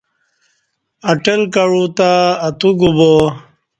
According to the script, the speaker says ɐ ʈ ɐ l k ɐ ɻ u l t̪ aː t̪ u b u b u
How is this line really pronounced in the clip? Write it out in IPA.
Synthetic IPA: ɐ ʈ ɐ l k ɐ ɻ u t̪ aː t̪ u ɡ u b o